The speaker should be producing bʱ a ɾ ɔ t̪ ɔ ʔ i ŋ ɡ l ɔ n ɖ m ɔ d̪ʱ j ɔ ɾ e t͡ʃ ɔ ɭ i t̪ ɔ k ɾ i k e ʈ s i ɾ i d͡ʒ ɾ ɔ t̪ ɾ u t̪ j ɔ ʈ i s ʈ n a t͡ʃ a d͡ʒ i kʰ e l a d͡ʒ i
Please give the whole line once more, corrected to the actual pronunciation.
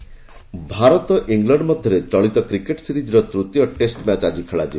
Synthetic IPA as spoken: bʱ a ɾ ɔ t̪ ɔ ʔ i ŋ ɡ l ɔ ɳ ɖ m ɔ d̪ʱ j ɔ ɾ e t͡ʃ ɔ ɭ i t̪ ɔ k ɾ i k e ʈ s i ɾ i d͡ʒ ɾ ɔ t̪ ɾ u t̪ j ɔ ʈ e s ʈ m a t͡ʃ a d͡ʒ i kʰ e ɭ a d͡ʒ i